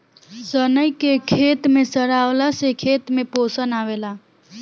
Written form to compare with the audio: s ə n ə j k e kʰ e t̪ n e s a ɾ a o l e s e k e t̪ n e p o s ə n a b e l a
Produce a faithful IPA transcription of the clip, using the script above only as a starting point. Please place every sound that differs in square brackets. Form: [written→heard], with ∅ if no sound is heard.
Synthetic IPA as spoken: s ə n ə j k e kʰ e t̪ [n→m] e s [a→ə] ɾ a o l [e→a] s e [k→kʰ] e t̪ [n→m] e p o s ə n a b e l a